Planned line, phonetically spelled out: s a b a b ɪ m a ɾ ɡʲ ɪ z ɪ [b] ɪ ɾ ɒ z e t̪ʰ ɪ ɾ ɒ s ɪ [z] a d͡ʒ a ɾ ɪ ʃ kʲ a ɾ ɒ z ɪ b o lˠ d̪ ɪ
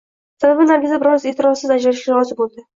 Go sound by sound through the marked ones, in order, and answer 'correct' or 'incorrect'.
correct, correct

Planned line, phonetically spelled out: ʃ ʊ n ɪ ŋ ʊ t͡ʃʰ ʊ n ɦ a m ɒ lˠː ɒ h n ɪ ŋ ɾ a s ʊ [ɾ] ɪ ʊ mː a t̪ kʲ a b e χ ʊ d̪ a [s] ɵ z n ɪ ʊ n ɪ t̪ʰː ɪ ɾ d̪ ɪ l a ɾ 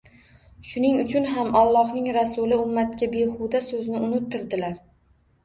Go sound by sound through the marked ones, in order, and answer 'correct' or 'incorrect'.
incorrect: l, correct

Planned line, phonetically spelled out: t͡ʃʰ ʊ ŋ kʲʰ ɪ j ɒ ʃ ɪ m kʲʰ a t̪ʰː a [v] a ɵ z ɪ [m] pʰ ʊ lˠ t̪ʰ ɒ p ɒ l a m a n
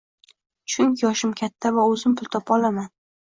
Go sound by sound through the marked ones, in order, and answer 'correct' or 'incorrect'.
correct, correct

